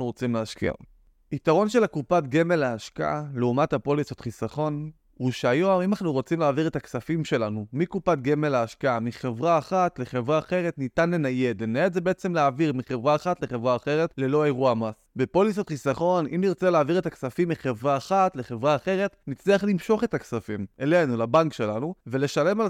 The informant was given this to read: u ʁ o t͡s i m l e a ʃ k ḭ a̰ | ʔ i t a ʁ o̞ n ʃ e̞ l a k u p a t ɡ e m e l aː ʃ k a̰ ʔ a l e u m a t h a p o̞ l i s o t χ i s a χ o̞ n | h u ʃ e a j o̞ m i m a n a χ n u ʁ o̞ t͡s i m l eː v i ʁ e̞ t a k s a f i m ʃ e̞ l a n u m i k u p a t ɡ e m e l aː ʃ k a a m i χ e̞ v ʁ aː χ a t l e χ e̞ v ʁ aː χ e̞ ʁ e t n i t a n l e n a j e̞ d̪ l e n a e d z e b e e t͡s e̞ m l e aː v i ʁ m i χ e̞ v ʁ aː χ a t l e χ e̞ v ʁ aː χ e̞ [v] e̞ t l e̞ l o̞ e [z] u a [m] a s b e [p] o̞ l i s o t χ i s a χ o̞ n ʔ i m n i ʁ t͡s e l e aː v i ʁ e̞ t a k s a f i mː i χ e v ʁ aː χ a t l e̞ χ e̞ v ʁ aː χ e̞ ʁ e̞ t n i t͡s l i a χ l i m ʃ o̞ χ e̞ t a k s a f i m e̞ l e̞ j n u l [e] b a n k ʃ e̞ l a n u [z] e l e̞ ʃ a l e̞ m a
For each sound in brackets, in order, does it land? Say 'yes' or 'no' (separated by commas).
no, no, yes, yes, no, no